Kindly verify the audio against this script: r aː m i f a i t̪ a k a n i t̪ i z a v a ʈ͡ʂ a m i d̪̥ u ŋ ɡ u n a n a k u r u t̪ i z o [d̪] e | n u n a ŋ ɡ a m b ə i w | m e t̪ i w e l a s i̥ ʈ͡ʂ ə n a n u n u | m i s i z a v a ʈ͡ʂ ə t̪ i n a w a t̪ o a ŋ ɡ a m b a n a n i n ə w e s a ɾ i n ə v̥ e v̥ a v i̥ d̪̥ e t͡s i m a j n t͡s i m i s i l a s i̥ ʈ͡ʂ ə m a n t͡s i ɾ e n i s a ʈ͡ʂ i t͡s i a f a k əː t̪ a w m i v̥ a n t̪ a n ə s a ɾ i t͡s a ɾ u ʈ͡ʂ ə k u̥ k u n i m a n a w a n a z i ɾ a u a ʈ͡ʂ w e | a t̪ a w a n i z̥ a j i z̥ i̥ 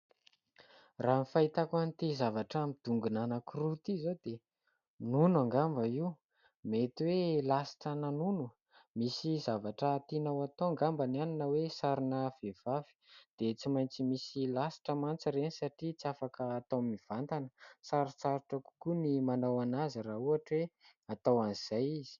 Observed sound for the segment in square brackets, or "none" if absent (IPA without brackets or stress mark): d̪